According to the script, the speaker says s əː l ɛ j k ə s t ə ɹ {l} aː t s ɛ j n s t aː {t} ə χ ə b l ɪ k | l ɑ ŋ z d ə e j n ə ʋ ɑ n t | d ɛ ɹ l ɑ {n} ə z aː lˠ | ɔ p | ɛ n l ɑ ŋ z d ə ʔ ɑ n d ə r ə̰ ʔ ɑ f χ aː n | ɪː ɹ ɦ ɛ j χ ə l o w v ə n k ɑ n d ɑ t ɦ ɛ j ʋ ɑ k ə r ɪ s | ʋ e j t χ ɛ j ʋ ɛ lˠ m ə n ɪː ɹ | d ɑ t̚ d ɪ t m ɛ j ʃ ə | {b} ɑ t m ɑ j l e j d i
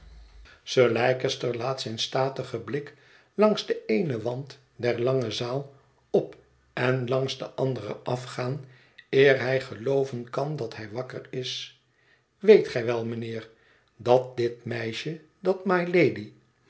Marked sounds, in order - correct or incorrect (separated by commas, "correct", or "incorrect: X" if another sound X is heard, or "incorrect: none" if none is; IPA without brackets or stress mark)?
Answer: correct, correct, incorrect: ŋ, incorrect: d